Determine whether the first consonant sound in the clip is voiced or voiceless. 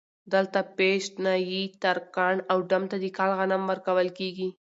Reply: voiced